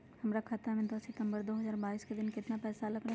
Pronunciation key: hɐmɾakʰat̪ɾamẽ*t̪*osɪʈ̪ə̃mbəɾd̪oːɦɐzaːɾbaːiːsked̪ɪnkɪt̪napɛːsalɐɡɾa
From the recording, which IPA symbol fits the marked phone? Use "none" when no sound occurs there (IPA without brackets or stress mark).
d̪